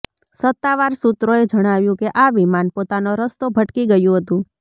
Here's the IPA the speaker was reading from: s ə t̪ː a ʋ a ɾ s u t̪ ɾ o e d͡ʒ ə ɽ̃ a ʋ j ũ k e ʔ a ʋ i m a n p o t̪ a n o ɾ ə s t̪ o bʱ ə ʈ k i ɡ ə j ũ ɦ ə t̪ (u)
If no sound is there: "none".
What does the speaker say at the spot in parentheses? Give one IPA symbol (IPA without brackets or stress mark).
ũ